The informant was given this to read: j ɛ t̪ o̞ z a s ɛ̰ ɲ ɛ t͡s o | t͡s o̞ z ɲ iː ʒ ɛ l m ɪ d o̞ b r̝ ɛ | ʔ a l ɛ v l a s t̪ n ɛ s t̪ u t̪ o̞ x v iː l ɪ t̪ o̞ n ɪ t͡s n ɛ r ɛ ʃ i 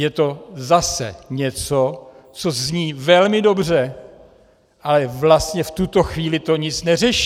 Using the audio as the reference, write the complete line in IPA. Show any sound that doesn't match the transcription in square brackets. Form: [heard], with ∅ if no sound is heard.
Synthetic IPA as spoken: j ɛ t̪ o̞ z a s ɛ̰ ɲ ɛ t͡s o | t͡s o̞ z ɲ iː [v] ɛ l m ɪ d o̞ b r̝ ɛ | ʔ a l ɛ v l a s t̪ [ɲ] ɛ [f] t̪ u t̪ o̞ x v iː l ɪ t̪ o̞ [ɲ] ɪ t͡s n ɛ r ɛ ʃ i